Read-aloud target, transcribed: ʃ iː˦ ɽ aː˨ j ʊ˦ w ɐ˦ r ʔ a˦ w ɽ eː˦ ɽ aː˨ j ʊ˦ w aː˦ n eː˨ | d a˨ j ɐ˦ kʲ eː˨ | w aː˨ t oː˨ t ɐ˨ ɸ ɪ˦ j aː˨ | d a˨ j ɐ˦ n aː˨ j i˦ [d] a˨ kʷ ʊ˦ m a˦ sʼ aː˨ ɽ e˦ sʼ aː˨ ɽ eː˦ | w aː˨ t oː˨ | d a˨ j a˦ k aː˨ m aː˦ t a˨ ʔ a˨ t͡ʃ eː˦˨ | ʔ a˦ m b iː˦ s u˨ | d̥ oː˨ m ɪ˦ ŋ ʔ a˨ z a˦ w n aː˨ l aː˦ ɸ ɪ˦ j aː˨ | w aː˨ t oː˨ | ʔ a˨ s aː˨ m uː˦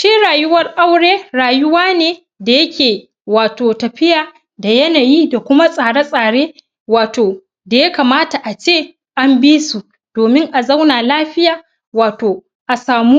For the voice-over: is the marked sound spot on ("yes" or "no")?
yes